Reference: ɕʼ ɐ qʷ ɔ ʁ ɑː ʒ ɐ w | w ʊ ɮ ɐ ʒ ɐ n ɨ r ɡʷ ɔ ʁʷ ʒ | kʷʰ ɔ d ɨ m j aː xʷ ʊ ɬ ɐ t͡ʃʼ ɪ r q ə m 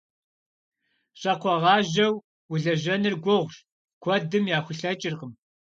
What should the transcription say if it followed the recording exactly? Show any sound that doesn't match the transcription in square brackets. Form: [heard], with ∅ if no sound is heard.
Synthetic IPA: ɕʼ ɐ qʷ ɔ ʁ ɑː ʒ ɐ w | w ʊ ɮ ɐ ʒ ɐ n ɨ r ɡʷ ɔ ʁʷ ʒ | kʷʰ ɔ d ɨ m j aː xʷ ʊ ɬ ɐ t͡ʃʼ ɪ r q ə m